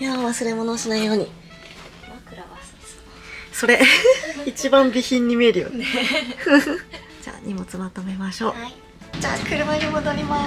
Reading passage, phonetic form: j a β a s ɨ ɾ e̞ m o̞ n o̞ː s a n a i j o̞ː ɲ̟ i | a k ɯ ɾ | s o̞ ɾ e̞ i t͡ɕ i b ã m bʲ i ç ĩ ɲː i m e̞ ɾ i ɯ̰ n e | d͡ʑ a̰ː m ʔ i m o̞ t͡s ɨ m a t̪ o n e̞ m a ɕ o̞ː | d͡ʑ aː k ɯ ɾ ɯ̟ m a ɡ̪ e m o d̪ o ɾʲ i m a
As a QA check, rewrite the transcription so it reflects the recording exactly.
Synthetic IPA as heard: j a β a s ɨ ɾ e̞ m o̞ n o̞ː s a n a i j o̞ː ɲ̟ i | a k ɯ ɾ | s o̞ ɾ e̞ i t͡ɕ i b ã m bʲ i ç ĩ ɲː i m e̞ ɾ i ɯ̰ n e | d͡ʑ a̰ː ɲ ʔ i m o̞ t͡s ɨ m a t̪ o m e̞ m a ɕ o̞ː | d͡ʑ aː k ɯ ɾ ɯ̟ m a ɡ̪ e m o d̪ o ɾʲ i m a